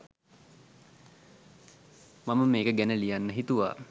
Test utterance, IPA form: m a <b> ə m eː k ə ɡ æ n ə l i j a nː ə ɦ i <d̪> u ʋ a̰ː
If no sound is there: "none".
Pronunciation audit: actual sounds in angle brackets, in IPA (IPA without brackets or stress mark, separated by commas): m, t̪